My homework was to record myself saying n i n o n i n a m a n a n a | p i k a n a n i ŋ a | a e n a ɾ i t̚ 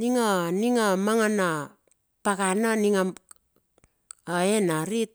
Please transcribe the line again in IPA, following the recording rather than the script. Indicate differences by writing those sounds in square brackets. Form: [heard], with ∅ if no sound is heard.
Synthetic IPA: n i [ŋ] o n i [ŋ] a m a [ŋ] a n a | p [a] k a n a n i ŋ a | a e n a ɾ i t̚